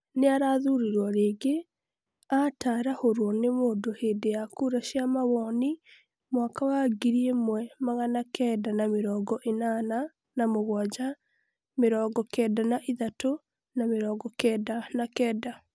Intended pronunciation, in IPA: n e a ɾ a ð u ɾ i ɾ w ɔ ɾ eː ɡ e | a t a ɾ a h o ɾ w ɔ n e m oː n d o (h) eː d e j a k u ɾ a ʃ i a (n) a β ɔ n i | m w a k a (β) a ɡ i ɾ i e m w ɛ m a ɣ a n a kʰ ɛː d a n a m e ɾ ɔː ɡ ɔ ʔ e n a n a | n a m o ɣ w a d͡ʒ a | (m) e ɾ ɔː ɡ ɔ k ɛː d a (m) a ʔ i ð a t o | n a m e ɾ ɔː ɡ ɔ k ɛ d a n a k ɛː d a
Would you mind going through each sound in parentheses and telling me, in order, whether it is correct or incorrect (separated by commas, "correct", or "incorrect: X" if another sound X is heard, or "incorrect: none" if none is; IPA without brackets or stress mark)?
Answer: correct, incorrect: m, incorrect: w, correct, incorrect: n